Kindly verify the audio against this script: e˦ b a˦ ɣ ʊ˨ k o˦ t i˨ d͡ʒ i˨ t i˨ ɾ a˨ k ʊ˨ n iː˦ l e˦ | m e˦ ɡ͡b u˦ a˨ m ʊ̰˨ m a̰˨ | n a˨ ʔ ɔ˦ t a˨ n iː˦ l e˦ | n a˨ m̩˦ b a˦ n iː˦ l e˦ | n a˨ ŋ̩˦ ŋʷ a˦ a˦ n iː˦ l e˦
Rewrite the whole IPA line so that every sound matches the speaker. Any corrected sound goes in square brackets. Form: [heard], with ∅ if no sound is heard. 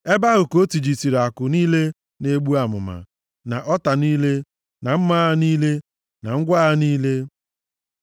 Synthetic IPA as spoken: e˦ b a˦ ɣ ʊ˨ k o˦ t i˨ d͡ʒ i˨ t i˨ ɾ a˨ k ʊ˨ n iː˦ l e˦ | [n] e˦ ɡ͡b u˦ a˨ m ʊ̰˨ m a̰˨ | n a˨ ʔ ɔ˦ t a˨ n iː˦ l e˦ | n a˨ m̩˦ [m] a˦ n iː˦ l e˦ | n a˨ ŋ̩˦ [ɡʷ] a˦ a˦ n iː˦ l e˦